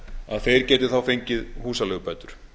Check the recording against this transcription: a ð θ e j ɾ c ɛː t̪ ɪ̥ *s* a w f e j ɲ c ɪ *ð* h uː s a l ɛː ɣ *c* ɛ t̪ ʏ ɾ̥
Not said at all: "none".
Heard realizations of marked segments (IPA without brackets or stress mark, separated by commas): θ, ð, p